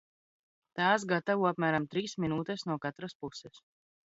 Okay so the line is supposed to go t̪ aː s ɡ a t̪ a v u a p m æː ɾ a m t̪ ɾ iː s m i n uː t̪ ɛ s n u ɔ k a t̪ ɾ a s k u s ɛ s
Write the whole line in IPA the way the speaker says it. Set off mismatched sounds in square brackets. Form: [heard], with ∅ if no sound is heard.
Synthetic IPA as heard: t̪ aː s ɡ a t̪ a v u a p m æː ɾ a m t̪ ɾ iː s m i n uː t̪ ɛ s n u ɔ k a t̪ ɾ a s [p] u s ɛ s